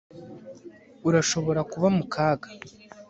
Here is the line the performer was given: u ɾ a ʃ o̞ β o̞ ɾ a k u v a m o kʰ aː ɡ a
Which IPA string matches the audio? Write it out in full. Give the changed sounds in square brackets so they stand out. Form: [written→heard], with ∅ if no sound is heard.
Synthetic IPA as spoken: u ɾ a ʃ o̞ β o̞ ɾ a k u [v→β] a m [o→u] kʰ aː ɡ a